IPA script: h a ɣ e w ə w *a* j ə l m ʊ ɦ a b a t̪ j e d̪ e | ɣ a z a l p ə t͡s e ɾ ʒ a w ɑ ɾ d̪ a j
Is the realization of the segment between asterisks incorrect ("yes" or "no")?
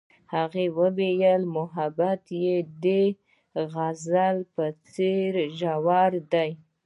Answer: yes